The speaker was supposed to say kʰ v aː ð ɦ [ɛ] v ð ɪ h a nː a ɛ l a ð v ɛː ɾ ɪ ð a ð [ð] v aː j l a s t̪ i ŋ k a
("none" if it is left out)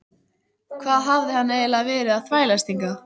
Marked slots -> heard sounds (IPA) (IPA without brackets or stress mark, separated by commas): a, θ